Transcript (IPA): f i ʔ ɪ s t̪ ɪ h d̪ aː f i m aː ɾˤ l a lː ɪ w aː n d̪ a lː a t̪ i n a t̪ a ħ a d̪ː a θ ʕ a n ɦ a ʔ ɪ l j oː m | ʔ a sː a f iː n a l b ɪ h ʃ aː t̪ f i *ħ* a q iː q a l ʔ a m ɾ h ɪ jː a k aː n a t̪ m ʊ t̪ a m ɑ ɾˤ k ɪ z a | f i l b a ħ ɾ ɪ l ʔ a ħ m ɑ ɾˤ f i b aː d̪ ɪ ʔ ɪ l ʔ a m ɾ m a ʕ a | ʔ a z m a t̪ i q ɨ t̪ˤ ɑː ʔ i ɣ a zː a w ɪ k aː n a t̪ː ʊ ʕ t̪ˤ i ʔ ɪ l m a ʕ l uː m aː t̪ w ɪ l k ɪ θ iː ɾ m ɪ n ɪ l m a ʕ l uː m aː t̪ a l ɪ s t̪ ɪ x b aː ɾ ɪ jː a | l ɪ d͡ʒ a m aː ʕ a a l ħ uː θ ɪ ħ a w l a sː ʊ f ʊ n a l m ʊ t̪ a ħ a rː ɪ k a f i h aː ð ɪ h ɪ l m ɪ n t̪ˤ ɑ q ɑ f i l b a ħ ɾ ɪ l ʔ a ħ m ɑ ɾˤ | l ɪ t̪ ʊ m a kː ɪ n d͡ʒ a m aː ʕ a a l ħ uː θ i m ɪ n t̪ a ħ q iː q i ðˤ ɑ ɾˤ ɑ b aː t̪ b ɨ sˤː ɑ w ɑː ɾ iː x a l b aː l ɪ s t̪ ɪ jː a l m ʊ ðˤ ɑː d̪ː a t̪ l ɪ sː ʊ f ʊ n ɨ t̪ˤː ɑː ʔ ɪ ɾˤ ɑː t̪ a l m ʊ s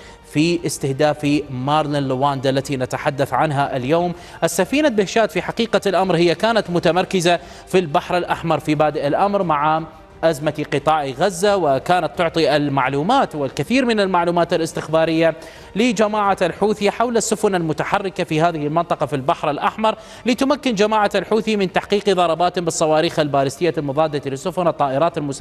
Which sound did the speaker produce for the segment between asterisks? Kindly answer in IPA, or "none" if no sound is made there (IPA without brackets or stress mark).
ħ